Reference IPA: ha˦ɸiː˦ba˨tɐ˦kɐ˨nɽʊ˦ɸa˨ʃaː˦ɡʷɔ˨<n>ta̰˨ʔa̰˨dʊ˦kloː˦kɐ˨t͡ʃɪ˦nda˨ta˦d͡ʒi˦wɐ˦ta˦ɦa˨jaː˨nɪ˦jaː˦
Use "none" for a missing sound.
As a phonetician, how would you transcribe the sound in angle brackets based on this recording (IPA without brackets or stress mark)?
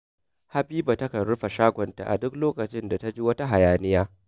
n